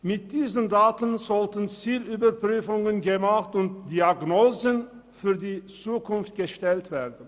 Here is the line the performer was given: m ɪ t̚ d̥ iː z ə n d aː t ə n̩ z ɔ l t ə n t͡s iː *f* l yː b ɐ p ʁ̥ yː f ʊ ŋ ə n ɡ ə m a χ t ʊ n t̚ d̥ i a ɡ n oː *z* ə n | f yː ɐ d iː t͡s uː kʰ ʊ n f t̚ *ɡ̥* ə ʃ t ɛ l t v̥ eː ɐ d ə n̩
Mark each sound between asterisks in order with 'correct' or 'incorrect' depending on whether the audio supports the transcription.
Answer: incorrect: none, correct, correct

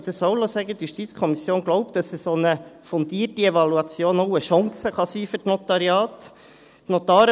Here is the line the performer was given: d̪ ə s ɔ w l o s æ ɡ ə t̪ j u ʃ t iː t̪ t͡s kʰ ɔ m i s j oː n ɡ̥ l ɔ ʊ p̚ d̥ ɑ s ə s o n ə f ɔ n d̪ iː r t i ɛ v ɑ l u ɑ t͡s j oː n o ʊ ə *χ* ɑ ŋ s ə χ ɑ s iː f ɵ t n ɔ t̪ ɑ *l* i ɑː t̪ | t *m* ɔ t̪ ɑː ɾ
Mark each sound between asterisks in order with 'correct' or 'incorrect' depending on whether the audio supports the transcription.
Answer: incorrect: ʃ, incorrect: ɾ, incorrect: n

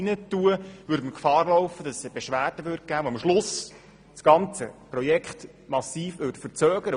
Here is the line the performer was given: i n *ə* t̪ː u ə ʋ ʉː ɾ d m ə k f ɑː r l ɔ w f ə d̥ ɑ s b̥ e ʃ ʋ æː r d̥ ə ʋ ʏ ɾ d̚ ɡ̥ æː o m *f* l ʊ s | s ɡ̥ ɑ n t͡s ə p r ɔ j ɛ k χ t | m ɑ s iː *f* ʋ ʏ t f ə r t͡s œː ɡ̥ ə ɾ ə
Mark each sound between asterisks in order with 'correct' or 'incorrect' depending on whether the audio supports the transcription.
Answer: correct, incorrect: ʃ, correct

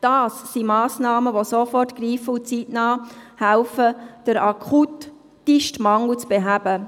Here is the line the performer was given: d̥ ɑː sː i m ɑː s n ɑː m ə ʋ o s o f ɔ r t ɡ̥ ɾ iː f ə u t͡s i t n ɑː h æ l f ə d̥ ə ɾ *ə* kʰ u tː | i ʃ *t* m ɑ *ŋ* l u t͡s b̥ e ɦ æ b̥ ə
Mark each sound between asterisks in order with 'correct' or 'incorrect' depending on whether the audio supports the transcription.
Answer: incorrect: ɑ, correct, correct

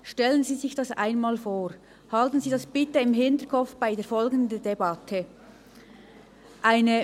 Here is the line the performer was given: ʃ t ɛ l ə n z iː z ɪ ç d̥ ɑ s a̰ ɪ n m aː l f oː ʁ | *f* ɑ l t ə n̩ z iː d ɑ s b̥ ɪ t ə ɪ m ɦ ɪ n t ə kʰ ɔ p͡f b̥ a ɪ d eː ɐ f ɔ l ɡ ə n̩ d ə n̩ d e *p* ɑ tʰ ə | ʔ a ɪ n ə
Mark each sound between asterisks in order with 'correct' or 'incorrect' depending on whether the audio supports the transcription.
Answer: incorrect: h, incorrect: b

